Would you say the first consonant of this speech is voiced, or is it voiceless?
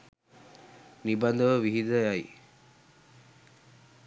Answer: voiced